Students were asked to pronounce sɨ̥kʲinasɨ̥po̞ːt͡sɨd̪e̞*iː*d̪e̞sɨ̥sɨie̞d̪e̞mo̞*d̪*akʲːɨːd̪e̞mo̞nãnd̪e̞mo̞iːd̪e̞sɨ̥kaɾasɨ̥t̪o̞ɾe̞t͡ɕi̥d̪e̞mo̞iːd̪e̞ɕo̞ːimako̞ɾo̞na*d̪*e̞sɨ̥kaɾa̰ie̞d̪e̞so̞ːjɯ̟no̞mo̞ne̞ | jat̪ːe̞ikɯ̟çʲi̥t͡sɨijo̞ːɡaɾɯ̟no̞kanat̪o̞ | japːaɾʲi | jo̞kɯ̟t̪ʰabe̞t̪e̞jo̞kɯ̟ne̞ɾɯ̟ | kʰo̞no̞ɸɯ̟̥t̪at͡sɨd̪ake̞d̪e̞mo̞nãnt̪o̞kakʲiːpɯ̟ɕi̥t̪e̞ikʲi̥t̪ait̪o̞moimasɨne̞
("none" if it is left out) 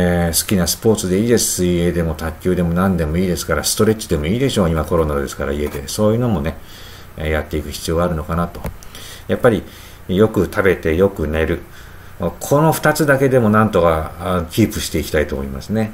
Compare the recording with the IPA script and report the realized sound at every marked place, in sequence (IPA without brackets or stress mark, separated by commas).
iː, t̪, d̪